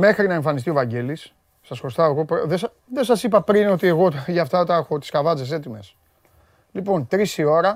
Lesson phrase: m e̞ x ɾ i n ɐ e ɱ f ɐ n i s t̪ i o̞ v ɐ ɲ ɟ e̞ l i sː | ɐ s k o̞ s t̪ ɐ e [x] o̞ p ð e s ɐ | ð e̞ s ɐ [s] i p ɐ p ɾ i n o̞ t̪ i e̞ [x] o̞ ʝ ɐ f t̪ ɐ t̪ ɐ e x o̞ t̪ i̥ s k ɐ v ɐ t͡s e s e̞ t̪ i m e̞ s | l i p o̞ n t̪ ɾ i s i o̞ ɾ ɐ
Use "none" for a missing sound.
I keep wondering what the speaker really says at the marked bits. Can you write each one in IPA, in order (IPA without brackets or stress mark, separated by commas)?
ɣ, s, ɣ